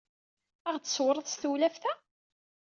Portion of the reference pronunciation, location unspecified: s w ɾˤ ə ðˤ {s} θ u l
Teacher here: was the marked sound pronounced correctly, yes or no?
yes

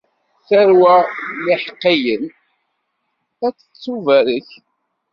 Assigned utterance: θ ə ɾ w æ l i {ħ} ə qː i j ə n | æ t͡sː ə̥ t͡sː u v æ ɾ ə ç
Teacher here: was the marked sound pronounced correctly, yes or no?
yes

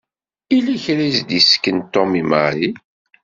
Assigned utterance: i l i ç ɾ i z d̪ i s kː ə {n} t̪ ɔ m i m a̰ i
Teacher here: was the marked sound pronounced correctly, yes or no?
yes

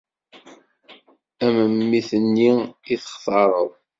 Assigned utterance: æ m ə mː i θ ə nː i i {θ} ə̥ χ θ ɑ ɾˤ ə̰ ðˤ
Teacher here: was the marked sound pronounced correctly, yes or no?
yes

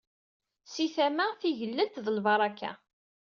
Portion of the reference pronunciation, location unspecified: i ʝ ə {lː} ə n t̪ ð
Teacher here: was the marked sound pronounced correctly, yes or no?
yes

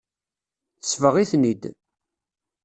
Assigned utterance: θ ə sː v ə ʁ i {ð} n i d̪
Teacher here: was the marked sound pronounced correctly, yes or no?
no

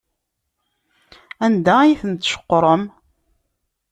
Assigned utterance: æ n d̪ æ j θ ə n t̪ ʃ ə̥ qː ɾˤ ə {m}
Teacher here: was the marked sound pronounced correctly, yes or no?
yes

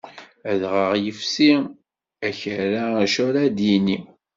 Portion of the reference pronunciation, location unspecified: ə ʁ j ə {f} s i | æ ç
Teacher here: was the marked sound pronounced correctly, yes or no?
yes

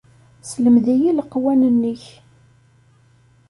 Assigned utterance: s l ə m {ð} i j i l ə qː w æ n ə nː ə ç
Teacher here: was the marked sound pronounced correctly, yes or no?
yes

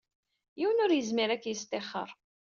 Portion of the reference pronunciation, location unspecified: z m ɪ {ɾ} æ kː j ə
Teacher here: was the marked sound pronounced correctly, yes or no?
yes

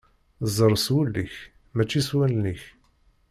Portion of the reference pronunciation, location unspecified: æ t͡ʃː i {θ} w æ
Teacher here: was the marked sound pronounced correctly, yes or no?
no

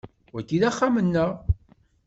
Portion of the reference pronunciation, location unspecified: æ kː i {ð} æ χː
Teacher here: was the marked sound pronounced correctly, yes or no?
yes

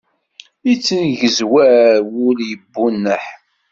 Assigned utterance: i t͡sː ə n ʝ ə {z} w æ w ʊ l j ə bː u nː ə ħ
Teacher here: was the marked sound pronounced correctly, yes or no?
yes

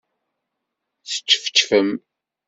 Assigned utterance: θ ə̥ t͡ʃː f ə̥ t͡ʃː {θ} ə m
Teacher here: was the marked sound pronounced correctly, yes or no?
no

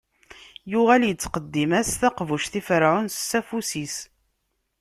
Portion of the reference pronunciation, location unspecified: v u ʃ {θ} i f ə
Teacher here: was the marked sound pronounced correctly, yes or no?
yes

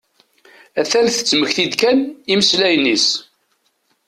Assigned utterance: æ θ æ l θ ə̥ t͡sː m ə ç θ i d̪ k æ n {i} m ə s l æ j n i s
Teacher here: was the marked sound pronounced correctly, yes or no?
yes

